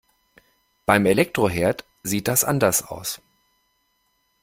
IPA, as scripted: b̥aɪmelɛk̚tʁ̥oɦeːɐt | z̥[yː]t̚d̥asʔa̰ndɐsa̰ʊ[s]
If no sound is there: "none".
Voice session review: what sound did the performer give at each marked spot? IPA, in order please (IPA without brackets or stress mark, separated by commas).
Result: iː, s